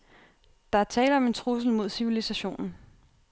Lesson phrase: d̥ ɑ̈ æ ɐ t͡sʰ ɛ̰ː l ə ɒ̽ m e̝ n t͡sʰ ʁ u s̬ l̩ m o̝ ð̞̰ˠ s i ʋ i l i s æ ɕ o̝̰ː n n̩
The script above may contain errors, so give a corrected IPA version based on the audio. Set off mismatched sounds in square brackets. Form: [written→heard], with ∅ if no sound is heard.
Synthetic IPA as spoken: d̥ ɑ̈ æ ɐ t͡sʰ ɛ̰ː l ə ɒ̽ m e̝ n t͡sʰ ʁ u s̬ l̩ m o̝ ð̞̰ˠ s i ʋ i l i s æ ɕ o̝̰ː n n̩